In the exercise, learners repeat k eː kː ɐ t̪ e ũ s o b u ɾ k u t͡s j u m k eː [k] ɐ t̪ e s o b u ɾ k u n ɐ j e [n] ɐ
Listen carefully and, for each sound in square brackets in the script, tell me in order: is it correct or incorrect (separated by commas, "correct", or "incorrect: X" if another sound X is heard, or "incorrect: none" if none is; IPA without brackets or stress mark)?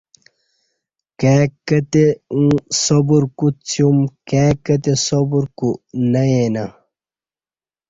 correct, correct